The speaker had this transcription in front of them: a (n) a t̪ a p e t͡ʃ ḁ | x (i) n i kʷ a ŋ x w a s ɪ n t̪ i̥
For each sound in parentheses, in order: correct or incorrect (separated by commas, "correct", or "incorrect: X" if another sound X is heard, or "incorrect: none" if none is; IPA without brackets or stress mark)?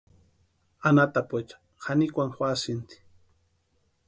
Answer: correct, incorrect: a